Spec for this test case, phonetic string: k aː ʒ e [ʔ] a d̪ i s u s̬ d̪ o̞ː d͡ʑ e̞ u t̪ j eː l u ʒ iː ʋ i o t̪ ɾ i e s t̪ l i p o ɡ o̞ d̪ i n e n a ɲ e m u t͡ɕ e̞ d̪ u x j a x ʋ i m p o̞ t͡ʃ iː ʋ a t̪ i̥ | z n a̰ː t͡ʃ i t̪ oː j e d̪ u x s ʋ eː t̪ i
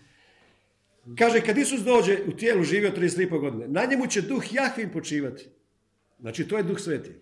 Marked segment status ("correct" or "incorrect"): incorrect